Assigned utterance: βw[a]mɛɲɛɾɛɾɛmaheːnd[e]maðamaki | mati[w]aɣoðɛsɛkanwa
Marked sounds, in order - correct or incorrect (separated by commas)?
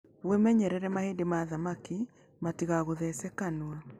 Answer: incorrect, correct, incorrect